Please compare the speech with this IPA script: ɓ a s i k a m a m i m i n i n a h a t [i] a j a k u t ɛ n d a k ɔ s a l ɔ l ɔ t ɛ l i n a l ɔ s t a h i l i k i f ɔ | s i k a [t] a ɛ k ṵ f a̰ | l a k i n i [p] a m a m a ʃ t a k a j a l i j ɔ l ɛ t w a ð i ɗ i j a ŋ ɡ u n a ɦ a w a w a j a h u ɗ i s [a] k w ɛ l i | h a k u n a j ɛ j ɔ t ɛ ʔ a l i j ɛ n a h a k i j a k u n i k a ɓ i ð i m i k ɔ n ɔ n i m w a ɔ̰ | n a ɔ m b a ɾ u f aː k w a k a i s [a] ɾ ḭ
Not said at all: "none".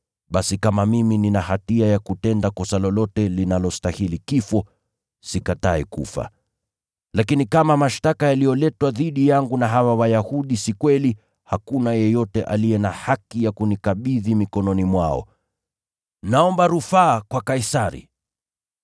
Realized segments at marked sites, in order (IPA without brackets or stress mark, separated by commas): i, t, k, i, a